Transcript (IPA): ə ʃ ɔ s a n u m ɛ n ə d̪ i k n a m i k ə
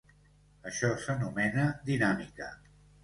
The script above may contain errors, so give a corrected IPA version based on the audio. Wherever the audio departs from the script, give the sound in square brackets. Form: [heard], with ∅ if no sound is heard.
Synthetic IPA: ə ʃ ɔ s [ə] n u m ɛ n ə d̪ i [∅] n a m i k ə